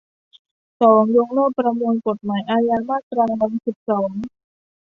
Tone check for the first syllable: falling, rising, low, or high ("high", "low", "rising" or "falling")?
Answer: rising